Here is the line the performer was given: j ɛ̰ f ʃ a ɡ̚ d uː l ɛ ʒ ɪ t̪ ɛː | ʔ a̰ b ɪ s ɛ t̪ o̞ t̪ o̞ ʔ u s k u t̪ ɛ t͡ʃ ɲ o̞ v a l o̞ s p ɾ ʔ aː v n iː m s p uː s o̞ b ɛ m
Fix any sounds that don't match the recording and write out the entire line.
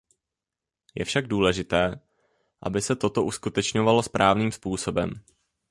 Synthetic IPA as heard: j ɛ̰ f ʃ a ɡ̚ d uː l ɛ ʒ ɪ t̪ ɛː | ʔ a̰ b ɪ s ɛ t̪ o̞ t̪ o̞ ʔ u s k u t̪ ɛ t͡ʃ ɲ o̞ v a l o̞ s p ɾ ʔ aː v n iː m s p uː s o̞ b ɛ m